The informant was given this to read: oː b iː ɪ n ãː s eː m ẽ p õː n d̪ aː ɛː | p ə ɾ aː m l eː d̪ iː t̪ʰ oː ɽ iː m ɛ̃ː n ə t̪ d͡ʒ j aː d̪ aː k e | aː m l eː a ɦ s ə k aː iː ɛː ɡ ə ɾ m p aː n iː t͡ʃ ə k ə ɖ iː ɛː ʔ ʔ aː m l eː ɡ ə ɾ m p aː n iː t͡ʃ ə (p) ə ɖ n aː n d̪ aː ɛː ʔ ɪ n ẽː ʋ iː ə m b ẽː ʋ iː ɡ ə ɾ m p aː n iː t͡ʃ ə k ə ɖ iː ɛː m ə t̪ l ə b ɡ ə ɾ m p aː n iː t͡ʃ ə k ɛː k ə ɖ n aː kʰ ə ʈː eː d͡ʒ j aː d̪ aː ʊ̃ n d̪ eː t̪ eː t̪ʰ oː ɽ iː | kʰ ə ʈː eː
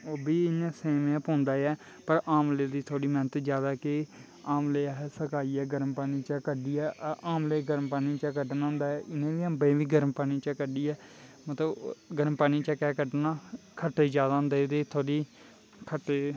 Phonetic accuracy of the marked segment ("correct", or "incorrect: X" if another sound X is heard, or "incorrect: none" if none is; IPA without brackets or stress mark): incorrect: k